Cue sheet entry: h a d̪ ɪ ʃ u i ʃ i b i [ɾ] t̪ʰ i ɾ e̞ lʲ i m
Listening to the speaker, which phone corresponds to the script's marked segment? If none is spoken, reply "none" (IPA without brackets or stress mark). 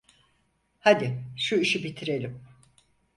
none